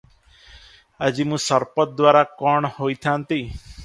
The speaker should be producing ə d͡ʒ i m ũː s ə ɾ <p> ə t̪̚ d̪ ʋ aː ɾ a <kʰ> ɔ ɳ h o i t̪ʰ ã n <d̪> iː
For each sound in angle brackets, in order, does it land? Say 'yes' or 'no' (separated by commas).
yes, no, no